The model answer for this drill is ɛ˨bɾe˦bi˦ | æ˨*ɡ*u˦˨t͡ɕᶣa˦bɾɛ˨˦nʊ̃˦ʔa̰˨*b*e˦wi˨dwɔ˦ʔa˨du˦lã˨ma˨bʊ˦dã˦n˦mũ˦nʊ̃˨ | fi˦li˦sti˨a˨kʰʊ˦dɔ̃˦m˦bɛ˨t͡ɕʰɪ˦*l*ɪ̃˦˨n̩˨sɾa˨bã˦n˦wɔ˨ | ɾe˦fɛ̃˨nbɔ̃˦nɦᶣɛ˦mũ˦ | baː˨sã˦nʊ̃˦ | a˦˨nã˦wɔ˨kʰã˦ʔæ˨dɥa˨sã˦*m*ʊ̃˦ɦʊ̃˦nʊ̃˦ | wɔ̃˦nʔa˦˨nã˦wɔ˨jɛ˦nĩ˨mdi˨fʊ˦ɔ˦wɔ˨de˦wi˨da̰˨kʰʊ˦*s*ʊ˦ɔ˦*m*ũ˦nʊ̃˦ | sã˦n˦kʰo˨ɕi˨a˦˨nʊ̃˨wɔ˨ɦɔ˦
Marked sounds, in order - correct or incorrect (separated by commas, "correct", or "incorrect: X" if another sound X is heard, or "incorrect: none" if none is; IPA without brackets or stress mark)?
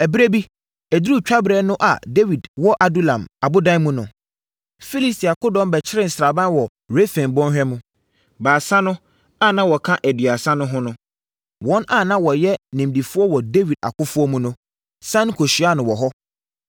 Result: incorrect: d, incorrect: d, incorrect: ɾ, incorrect: n, incorrect: f, correct